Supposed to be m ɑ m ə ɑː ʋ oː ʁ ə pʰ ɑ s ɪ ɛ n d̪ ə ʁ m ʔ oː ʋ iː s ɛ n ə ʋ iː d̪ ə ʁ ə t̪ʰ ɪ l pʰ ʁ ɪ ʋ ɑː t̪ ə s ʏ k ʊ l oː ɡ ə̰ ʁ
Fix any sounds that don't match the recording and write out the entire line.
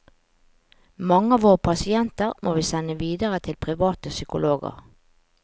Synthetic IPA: m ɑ ŋ ə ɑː ʋ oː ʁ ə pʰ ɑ s ɪ ɛ n t̪ ə ʁ m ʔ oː ʋ iː s ɛ n ə ʋ iː d̪ ə ʁ ə t̪ʰ ɪ l pʰ ʁ ɪ ʋ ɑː t̪ ə s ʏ k ʊ l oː ɡ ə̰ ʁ